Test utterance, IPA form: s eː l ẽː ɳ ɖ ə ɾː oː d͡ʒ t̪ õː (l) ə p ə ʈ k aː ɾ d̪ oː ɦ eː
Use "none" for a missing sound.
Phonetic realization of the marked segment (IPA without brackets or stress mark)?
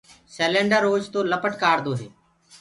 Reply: l